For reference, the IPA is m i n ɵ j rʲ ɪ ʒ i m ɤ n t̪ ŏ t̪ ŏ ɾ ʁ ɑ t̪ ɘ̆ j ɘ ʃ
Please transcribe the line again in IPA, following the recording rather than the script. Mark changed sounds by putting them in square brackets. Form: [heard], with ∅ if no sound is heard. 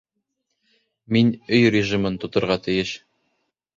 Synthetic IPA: m i n ɵ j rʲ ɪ ʒ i m ɤ n t̪ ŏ t̪ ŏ ɾ ʁ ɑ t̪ ɘ̆ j ɘ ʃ